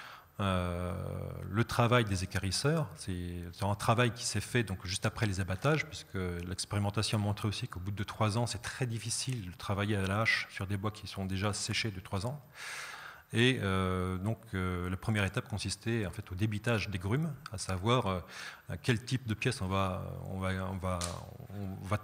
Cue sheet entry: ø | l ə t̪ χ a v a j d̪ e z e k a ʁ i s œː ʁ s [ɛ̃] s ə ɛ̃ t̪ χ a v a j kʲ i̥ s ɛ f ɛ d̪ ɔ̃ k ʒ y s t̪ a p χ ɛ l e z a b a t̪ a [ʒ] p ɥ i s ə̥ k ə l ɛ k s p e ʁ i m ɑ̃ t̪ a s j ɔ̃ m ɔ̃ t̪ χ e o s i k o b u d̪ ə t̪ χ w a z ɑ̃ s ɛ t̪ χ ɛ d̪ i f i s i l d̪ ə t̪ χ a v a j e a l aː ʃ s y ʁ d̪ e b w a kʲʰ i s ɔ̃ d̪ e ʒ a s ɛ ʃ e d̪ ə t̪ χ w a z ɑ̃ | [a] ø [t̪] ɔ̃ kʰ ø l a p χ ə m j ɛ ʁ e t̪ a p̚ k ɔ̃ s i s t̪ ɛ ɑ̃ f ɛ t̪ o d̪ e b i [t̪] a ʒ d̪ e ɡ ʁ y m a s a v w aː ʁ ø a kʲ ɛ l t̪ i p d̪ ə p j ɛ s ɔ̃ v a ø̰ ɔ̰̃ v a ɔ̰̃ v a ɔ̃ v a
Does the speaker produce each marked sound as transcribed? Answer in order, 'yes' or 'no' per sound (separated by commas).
no, yes, no, no, yes